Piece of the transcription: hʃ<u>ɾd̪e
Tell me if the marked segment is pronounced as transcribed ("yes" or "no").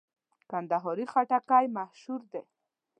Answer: yes